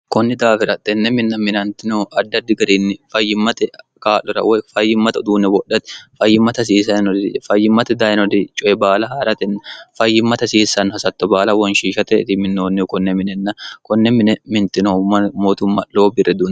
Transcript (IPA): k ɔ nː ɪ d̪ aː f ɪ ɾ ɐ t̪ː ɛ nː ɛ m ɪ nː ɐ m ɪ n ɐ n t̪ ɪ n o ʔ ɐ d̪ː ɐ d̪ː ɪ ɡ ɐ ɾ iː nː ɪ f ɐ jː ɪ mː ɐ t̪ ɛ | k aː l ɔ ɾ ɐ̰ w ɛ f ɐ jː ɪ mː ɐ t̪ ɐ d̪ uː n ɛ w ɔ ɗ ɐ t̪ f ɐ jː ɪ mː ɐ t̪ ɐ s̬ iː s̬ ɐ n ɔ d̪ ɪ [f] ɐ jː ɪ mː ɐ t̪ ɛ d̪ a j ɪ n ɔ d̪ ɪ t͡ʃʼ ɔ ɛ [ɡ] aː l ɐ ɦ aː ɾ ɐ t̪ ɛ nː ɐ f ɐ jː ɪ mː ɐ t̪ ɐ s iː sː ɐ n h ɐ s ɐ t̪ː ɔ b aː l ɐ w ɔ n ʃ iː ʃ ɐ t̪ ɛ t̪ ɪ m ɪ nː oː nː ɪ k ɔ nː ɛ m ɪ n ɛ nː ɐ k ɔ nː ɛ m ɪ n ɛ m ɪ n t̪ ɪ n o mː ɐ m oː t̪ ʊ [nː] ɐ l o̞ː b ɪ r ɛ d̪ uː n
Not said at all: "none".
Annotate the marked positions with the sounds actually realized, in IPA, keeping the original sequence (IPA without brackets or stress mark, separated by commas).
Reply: f, b, mː